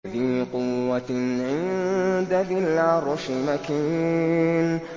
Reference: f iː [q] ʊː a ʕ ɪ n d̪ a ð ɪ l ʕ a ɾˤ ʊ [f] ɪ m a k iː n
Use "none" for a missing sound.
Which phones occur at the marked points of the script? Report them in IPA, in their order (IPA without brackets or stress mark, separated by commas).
q, ʃ